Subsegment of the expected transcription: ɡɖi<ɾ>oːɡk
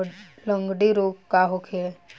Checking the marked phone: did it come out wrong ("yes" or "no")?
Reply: no